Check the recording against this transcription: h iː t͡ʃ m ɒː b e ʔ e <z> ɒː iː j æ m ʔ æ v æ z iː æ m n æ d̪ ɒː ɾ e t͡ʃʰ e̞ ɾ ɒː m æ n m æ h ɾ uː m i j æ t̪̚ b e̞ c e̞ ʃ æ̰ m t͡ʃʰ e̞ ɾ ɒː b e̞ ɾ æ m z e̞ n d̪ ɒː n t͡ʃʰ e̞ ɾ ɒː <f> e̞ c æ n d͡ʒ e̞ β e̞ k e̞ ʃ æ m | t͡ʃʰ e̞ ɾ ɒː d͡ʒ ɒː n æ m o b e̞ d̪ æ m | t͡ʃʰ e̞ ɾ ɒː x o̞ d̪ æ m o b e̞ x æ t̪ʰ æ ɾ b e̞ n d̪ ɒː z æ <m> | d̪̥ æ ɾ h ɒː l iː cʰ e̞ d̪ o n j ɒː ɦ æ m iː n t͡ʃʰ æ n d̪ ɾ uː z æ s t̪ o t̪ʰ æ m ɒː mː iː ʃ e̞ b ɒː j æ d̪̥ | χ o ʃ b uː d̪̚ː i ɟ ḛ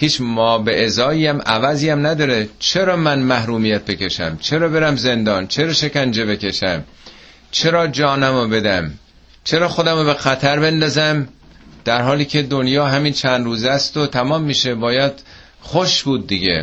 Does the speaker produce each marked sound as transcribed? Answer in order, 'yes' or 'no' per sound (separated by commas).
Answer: yes, no, yes